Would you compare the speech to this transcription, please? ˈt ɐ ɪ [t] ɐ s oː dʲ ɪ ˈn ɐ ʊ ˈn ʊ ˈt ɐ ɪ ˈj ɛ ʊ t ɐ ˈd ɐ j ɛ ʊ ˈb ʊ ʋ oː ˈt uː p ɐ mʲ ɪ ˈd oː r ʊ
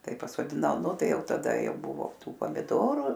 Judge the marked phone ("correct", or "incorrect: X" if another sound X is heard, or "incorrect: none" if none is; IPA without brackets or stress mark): incorrect: p